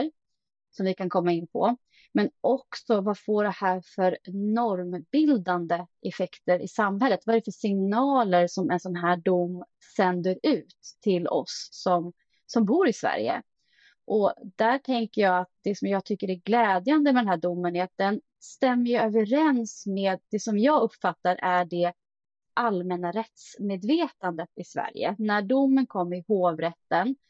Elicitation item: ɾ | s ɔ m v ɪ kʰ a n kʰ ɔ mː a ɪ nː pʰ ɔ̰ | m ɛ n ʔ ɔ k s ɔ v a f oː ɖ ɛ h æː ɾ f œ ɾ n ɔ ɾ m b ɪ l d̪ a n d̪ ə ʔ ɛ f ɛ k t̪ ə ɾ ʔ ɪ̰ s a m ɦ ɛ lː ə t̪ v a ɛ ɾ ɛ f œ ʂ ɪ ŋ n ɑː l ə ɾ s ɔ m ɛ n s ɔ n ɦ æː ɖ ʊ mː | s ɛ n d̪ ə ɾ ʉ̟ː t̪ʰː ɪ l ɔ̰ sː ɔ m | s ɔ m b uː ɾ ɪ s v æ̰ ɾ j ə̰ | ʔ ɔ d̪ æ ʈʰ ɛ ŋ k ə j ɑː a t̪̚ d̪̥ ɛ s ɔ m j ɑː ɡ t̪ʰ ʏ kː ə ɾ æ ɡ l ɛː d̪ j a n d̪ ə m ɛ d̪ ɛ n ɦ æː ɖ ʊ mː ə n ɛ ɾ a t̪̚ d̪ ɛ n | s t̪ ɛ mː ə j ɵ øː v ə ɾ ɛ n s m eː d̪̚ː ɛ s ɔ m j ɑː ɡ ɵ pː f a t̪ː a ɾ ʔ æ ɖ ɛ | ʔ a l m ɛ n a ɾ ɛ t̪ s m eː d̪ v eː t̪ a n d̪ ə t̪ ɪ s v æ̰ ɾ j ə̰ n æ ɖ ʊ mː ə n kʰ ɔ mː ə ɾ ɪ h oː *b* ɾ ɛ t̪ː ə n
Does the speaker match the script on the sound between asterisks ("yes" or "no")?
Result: no